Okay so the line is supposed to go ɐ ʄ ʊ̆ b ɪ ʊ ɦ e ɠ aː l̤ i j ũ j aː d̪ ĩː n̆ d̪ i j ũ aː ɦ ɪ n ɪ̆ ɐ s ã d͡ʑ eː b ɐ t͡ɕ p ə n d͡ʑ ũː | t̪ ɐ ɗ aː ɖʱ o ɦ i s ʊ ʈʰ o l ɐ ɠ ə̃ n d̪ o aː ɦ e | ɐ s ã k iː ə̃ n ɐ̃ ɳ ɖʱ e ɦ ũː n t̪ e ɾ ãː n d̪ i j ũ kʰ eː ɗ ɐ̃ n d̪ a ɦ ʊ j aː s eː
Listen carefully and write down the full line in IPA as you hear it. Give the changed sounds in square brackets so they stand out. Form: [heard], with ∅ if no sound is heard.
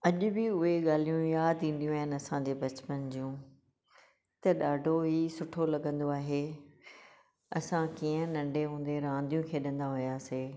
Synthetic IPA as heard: ɐ ʄ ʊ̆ b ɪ ʊ ɦ e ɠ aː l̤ i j ũ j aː d̪ ĩː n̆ d̪ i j ũ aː ɦ ɪ n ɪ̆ ɐ s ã d͡ʑ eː b ɐ t͡ɕ p ə n d͡ʑ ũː | t̪ ɐ ɗ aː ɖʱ o ɦ i s ʊ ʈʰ o l ɐ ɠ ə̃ n d̪ o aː ɦ e | ɐ s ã k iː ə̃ n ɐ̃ ɳ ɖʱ e ɦ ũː n [d̪] e ɾ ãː n d̪ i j ũ kʰ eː ɗ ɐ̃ n d̪ a ɦ ʊ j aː s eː